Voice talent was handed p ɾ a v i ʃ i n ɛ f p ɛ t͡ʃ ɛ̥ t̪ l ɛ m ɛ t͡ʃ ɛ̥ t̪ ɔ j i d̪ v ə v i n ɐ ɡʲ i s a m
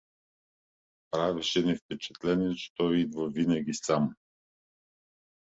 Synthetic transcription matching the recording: p ɾ a v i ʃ ɛ n ɛ f p ɛ t͡ʃ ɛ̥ t̪ l ɛ n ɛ t͡ʃ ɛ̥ t̪ ɔ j i d̪ v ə v i n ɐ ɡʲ i s a m